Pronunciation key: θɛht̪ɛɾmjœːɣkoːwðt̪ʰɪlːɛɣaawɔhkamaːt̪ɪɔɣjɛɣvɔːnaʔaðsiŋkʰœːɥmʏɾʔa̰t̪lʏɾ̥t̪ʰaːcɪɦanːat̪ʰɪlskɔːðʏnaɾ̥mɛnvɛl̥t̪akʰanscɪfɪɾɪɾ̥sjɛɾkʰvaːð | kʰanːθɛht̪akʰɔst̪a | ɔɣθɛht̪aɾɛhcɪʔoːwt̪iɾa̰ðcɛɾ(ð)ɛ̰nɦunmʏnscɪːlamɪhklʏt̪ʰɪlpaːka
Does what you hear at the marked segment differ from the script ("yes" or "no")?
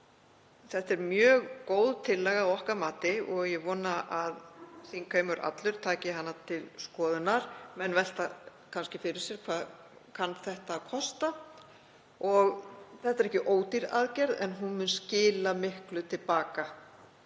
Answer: no